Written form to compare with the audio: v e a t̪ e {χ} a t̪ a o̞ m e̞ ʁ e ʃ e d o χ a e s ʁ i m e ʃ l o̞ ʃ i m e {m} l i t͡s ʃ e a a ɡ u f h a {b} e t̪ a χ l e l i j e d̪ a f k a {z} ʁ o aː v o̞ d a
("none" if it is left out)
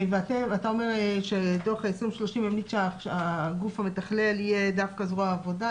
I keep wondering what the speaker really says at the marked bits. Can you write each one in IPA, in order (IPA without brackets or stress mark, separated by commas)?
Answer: none, m, m, z